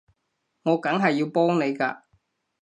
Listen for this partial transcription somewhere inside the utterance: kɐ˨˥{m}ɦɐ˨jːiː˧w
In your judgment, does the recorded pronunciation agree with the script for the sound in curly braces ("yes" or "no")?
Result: no